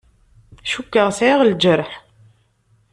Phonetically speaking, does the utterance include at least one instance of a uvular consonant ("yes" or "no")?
yes